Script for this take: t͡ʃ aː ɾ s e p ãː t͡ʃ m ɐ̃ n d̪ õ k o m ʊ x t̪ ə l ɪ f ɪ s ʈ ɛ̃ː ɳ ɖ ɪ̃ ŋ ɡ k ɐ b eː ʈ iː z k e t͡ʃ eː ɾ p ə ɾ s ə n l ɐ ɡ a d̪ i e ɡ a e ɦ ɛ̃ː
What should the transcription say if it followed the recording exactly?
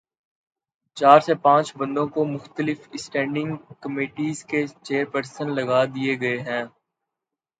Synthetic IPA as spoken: t͡ʃ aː ɾ s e p ãː t͡ʃ b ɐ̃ n d̪ õ k o m ʊ x t̪ ə l ɪ f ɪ s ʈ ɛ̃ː ɳ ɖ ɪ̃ ŋ ɡ k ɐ m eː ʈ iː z k e t͡ʃ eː ɾ p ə ɾ s ə n l ɐ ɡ a d̪ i e ɡ ɐ e ɦ ɛ̃ː

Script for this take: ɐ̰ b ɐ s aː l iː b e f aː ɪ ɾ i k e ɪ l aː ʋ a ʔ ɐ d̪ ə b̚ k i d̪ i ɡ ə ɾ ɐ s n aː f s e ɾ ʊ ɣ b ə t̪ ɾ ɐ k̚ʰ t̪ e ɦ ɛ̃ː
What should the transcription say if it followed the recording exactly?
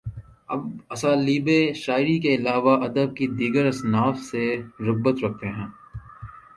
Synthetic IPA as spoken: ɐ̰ b ɐ s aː l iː b e ʃ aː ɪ ɾ i k e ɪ l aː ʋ a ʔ ɐ d̪ ə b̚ k i d̪ iː ɡ ə ɾ ɐ s n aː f s e ɾ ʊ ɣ b ə t̪ ɾ ɐ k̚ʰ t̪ e ɦ ɛ̃ː

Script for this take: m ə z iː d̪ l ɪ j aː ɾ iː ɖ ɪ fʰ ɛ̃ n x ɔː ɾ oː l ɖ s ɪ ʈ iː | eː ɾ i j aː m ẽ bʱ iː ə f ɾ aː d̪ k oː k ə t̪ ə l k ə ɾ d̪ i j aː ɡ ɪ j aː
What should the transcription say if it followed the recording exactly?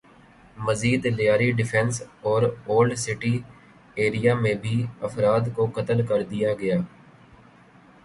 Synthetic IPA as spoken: m ə z iː d̪ l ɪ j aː ɾ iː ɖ ɪ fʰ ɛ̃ n s ɔː ɾ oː l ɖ s ɪ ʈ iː | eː ɾ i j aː m ẽ bʱ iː ə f ɾ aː d̪ k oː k ə t̪ ə l k ə ɾ d̪ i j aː ɡ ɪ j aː

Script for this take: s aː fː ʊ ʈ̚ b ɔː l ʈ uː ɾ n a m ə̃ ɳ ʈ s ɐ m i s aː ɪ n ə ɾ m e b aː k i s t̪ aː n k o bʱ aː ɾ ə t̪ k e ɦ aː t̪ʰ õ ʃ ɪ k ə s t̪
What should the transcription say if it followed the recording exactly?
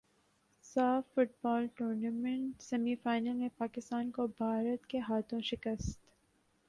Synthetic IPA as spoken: s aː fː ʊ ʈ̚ b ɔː l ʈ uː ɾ n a m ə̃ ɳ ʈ s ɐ m i f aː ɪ n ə l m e p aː k ɪ s t̪ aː n k o bʱ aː ɾ ə t̪ k e ɦ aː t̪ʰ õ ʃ ɪ k ə s t̪

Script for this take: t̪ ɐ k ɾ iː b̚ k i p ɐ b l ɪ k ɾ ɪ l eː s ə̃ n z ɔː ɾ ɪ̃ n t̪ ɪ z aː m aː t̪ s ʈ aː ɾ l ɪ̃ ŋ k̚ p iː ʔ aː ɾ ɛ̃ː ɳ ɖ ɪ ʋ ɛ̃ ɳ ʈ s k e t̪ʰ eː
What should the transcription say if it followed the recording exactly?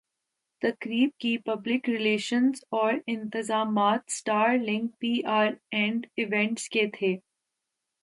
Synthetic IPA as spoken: t̪ ɐ k ɾ iː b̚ k i p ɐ b l ɪ k ɾ ɪ l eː ʃ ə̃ n z ɔː ɾ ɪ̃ n t̪ ɪ z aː m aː t̪ s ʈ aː ɾ l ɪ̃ ŋ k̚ p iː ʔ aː ɾ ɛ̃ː ɳ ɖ ɪ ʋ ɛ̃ ɳ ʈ s k e t̪ʰ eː

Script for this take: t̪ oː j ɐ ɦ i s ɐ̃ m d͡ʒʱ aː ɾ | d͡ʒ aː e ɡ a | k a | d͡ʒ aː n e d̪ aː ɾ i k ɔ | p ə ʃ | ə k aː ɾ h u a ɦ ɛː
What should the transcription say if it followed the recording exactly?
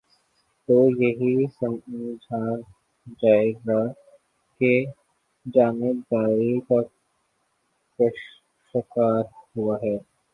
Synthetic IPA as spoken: t̪ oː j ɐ ɦ i s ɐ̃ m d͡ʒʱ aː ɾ | d͡ʒ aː e ɡ a | k e | d͡ʒ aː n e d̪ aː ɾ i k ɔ | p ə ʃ | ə k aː ɾ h u a ɦ ɛː

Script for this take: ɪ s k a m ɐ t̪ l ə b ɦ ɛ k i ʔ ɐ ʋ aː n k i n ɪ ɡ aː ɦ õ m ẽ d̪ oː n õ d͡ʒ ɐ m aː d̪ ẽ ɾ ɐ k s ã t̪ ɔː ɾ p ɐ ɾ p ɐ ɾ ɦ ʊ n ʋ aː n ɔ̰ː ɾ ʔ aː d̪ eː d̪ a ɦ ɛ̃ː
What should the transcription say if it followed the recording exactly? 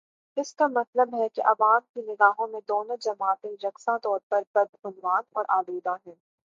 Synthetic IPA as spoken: ɪ s k a m ɐ t̪ l ə b ɦ ɛ k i ʔ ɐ ʋ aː m k i n ɪ ɡ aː ɦ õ m ẽ d̪ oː n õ d͡ʒ ɐ m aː t̪ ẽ ɾ ɐ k s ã t̪ ɔː ɾ p ɐ ɾ p ɐ ɾ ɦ ʊ n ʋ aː n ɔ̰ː ɾ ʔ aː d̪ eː d̪ a ɦ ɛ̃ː

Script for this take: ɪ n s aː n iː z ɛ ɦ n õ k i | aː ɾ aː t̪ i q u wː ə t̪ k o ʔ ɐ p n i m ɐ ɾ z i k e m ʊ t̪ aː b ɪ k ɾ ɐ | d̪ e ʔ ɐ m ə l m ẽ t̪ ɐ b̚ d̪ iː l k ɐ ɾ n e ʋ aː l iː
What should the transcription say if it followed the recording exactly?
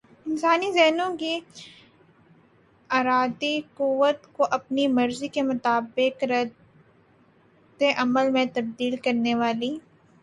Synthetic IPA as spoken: ɪ n s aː n i z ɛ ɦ n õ k i | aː ɾ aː d̪ i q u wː ə t̪ k o ʔ ɐ p n i m ɐ ɾ z i k e m ʊ t̪ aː b ɪ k ɾ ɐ | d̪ e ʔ ɐ m ə l m ẽ t̪ ɐ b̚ d̪ iː l k ɐ ɾ n e ʋ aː l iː

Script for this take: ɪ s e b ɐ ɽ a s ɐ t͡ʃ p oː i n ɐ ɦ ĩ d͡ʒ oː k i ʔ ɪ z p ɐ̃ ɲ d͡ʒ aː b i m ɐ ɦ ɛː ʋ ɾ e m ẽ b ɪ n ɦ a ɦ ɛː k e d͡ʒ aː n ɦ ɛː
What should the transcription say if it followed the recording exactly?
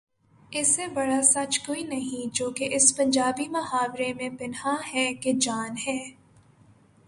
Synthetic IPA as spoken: ɪ s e b ɐ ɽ a s ɐ t͡ʃ k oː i n ɐ ɦ ĩ d͡ʒ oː k e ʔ ɪ s p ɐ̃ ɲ d͡ʒ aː b i m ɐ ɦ aː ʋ ɾ e m ẽ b ɪ n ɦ a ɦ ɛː k e d͡ʒ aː n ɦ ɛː

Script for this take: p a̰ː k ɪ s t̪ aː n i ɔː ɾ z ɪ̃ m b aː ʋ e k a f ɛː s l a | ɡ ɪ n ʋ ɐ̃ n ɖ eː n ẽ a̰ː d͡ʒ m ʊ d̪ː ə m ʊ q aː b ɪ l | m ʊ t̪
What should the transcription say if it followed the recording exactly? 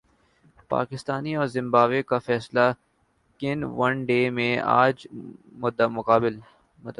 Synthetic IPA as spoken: p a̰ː k ɪ s t̪ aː n i ɔː ɾ z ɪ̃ m b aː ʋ e k a f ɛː s l a | k ɪ n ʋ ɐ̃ n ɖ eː m ẽ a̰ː d͡ʒ m ʊ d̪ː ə m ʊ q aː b ɪ l | m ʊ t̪

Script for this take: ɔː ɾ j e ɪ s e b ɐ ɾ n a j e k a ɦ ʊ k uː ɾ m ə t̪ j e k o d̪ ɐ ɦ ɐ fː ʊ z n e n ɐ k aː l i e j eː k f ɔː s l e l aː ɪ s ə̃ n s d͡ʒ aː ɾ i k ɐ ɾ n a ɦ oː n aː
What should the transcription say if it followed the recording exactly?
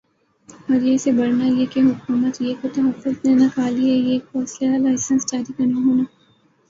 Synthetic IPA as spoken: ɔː ɾ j e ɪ s e b ɐ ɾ n a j e k e ɦ ʊ k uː m ə t̪ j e k o t̪ ɐ ɦ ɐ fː ʊ z n e n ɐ k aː l i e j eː k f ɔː s l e l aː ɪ s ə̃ n s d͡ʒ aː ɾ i k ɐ ɾ n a ɦ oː n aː

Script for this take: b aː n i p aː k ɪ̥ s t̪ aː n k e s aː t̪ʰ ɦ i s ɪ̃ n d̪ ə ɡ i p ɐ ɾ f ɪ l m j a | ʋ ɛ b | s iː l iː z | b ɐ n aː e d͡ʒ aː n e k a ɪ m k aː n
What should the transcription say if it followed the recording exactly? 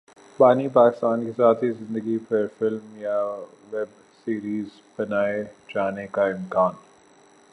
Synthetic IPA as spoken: b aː n i p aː k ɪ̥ s t̪ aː n k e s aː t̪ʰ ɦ i z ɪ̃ n d̪ ə ɡ i p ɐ ɾ f ɪ l m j a | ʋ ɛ b | s iː ɾ iː z | b ɐ n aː e d͡ʒ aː n e k a ɪ m k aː n

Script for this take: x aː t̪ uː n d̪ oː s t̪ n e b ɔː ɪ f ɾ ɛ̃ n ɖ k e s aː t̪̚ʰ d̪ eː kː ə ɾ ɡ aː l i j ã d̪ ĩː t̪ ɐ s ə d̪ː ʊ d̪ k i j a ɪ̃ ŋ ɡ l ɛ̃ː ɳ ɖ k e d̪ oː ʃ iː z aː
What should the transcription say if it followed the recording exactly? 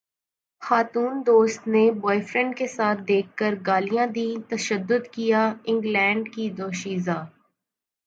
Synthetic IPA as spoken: x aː t̪ uː n d̪ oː s t̪ n e b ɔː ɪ f ɾ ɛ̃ ɳ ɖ k e s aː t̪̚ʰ d̪ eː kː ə ɾ ɡ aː l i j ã d̪ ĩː t̪ ɐ ʃ ə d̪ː ʊ d̪ k i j a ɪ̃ ŋ ɡ l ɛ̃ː ɳ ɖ k i d̪ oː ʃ iː z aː

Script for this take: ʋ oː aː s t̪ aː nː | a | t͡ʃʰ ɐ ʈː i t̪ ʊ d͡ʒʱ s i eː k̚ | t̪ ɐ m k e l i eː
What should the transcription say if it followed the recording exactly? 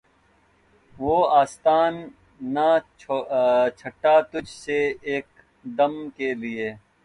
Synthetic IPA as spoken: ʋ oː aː s t̪ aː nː | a | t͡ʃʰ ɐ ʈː a t̪ ʊ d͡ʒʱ s e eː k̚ | d̪ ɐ m k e l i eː

